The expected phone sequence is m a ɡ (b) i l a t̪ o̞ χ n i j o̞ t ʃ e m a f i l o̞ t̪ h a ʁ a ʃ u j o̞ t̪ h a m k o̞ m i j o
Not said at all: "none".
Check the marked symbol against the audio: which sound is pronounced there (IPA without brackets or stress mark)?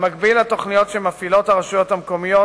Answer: b